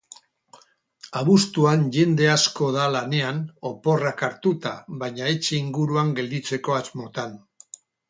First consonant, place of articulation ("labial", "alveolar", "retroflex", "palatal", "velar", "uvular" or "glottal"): labial